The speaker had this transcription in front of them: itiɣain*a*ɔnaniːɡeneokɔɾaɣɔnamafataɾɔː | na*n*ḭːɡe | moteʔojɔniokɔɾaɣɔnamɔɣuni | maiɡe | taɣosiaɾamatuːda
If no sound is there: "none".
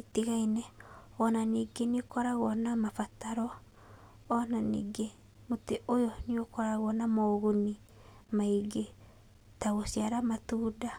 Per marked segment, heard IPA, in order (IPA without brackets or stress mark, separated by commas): ɛ, n